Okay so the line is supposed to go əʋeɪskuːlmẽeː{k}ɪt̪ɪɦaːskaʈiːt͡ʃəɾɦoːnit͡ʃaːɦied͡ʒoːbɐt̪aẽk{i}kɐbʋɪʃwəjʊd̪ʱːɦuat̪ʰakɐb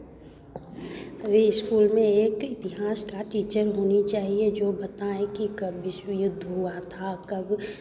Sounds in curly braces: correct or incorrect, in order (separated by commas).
correct, correct